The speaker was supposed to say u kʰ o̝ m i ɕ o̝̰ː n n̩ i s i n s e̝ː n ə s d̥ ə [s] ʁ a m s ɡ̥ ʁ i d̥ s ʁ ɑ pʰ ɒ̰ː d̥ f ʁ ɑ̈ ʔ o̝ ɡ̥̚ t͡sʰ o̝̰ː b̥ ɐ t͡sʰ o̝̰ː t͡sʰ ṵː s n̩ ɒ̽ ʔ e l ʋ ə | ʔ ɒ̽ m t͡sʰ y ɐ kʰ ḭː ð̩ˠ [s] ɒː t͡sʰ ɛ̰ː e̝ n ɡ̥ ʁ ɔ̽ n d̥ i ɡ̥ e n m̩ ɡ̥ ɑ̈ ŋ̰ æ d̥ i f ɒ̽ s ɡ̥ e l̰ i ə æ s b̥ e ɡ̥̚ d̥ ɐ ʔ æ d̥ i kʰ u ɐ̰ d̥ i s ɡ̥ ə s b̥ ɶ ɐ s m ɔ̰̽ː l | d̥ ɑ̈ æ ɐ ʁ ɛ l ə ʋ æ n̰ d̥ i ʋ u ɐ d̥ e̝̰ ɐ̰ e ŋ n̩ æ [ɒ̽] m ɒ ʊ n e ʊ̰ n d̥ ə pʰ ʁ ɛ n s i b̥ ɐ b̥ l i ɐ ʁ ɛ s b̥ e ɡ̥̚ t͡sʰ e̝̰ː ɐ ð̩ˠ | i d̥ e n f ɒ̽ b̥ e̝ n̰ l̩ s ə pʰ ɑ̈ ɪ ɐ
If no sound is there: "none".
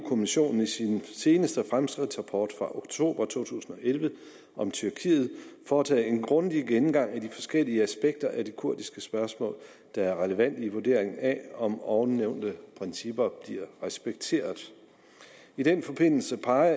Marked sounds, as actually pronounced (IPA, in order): f, f, ɒ̽

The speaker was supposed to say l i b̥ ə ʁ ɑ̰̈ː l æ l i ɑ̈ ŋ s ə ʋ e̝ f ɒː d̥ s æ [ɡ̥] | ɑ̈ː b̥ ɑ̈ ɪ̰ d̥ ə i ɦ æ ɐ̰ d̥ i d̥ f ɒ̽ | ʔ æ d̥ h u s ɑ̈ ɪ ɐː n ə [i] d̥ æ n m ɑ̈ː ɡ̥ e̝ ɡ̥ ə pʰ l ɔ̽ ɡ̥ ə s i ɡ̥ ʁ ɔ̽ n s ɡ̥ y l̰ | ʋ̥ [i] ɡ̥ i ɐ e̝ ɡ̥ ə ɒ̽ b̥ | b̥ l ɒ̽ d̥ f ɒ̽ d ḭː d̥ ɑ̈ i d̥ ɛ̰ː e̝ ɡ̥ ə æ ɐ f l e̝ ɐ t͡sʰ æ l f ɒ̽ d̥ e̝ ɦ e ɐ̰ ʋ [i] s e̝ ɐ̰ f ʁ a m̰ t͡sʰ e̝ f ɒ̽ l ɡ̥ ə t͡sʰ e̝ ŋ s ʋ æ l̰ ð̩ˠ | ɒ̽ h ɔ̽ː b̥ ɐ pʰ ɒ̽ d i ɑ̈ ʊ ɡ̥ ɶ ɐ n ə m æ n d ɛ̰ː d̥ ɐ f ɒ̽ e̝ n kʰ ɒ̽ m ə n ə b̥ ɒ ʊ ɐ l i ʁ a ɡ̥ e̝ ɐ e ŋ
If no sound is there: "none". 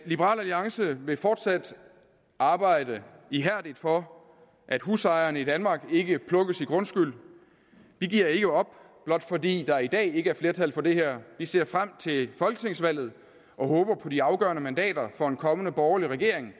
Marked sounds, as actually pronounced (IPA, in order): d̥, i, i, i

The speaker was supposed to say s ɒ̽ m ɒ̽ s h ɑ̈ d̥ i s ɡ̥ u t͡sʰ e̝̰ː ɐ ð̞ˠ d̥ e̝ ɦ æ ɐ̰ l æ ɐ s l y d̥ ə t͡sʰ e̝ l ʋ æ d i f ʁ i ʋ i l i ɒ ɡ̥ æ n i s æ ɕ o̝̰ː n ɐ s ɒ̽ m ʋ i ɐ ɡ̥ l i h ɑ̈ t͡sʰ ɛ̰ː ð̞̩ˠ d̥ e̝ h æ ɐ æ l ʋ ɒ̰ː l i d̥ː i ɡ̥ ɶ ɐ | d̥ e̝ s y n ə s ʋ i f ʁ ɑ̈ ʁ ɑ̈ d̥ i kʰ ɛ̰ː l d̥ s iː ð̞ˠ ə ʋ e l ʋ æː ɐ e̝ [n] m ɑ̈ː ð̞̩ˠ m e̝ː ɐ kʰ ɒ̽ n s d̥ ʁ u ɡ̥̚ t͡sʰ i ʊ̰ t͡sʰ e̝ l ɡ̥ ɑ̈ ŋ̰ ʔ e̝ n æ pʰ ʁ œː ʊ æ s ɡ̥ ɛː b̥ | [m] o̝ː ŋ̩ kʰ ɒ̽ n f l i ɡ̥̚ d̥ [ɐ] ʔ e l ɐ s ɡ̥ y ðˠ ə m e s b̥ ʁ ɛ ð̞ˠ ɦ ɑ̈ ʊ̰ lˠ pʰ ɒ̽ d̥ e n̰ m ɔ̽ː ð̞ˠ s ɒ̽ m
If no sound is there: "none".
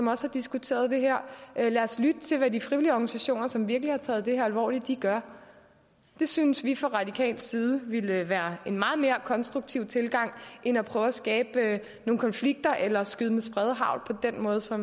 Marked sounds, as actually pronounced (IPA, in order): n, n, ɐ

